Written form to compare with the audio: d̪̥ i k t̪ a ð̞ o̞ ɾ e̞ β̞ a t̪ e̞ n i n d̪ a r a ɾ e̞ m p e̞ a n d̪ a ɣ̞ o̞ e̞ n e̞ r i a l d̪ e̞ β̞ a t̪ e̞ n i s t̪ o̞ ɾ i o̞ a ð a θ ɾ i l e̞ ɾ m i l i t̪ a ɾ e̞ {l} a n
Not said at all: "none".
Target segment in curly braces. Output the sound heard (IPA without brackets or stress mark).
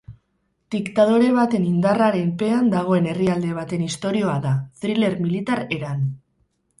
ɾ